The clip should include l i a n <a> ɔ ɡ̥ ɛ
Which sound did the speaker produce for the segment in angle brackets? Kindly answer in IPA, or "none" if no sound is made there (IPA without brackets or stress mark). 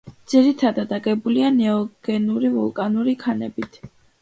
ɛ